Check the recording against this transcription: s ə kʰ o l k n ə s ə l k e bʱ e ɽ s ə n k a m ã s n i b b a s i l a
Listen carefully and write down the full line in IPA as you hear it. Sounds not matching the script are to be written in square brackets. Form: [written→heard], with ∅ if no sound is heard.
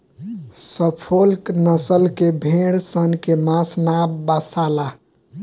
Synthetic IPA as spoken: s ə [kʰ→pʰ] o l k n ə s ə l k e bʱ e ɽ s ə n k [a→e] m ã s n [i→a] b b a s [i→a] l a